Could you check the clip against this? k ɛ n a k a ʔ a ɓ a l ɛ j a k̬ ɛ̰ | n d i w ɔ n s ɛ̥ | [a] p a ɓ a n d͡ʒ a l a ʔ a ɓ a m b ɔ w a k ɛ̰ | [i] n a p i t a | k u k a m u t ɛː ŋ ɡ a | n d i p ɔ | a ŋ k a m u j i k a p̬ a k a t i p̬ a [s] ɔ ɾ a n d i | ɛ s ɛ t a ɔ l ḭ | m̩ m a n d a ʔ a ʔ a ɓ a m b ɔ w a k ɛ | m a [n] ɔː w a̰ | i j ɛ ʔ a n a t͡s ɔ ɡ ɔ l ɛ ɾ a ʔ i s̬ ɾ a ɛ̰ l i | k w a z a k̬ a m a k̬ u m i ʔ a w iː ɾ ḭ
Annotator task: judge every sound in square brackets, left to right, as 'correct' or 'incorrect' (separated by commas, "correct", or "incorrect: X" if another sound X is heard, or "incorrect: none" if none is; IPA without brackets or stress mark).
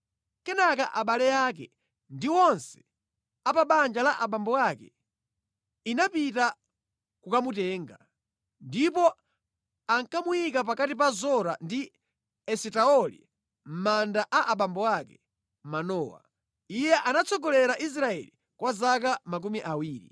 correct, correct, incorrect: z, correct